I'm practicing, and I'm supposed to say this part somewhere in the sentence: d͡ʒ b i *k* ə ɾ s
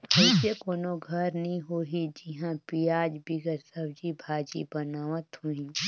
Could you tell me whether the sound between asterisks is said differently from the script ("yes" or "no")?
yes